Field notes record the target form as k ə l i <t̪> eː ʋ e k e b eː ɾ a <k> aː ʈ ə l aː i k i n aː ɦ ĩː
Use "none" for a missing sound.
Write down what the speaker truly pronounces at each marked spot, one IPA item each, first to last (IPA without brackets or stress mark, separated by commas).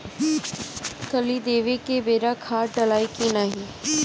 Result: d̪, kʰ